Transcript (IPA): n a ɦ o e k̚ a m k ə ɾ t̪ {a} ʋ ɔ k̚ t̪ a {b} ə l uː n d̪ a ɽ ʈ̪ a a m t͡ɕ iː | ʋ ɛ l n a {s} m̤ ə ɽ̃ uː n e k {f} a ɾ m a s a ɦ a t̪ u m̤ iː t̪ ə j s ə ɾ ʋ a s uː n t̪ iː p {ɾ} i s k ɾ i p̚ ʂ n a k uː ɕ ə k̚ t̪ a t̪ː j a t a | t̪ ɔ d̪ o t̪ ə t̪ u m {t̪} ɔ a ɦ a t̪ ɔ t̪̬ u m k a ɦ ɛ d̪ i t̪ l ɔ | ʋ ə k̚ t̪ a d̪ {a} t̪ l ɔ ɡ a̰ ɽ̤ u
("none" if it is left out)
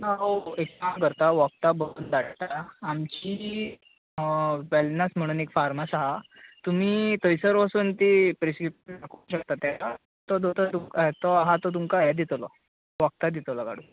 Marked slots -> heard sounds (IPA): a, b, s, f, ɾ, t̪, i

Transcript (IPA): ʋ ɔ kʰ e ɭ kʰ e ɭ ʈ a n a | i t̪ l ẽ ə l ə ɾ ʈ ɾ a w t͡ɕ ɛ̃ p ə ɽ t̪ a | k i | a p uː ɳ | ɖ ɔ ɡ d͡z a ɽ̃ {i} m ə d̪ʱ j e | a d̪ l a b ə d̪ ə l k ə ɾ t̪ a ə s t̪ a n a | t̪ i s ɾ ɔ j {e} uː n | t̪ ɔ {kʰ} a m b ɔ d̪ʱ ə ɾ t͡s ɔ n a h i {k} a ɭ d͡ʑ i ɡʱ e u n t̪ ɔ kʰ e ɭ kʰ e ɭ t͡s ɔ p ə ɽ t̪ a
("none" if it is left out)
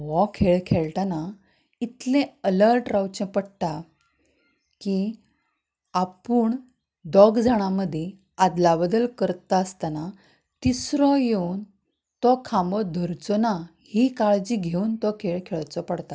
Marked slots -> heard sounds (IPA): a, e, kʰ, k

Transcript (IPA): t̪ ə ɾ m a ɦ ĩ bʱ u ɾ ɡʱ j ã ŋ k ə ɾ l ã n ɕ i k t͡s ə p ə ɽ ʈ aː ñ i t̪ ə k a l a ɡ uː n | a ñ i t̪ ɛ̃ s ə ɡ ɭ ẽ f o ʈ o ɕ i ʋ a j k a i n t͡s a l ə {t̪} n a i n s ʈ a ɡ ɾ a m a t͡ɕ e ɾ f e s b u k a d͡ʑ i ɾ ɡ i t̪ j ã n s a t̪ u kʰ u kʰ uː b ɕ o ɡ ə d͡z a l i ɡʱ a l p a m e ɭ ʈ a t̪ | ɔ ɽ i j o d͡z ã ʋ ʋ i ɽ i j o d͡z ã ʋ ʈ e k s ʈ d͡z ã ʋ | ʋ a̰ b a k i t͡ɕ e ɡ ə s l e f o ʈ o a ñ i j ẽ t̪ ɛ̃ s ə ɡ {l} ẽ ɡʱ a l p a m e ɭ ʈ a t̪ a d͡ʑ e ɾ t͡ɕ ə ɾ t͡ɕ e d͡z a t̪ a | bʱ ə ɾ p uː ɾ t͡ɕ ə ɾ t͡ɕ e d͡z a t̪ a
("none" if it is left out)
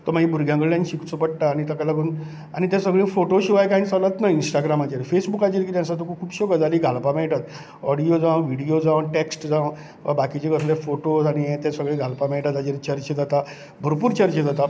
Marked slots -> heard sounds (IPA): t̪, ɭ

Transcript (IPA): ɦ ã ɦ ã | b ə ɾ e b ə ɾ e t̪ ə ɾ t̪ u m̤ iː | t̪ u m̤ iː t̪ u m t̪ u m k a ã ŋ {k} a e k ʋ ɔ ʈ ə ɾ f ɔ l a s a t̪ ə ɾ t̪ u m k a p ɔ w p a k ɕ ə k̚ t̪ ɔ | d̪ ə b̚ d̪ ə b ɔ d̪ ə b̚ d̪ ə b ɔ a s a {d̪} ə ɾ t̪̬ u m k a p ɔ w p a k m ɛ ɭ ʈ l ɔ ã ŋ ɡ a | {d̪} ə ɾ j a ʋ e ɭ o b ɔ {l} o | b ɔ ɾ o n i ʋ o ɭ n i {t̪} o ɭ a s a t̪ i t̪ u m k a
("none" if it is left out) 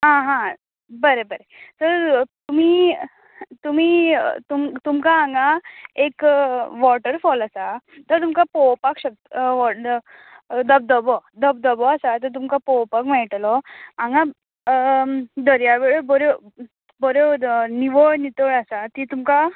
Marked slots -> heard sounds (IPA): ɡ, t̪, d̪, ɾ, t̪

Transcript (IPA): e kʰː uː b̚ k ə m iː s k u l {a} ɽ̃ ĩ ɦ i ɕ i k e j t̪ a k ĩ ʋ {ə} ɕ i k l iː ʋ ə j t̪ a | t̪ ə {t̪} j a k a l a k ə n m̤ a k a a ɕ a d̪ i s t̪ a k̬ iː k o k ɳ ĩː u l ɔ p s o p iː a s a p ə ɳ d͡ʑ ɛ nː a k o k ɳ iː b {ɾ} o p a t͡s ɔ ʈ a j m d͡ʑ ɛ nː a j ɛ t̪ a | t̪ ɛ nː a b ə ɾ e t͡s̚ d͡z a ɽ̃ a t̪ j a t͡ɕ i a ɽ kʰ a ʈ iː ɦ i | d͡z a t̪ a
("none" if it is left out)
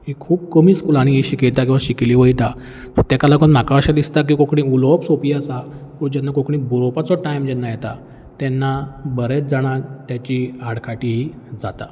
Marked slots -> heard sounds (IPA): a, a, t̪, ɾ

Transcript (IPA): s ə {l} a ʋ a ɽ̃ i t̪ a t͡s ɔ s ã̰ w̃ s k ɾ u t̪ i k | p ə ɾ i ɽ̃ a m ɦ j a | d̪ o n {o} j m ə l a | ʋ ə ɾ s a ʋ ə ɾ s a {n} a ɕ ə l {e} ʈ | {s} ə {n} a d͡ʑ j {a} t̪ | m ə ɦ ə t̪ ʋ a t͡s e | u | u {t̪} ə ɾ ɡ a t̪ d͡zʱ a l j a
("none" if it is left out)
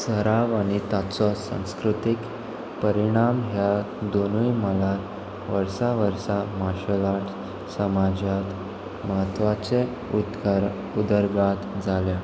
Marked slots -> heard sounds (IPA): ɾ, u, m, a, s, m, a, d̪

